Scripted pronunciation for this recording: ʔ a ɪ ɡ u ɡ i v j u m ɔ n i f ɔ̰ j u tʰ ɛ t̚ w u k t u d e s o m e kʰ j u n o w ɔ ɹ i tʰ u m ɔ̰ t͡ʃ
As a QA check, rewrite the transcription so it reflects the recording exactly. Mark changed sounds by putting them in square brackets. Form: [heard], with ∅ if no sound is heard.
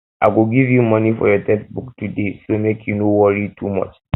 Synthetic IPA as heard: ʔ a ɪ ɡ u ɡ i v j u m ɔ n i f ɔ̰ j [ɔ] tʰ ɛ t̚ [b] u k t u d e s o m e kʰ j u n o w ɔ ɹ i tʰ u m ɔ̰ t͡ʃ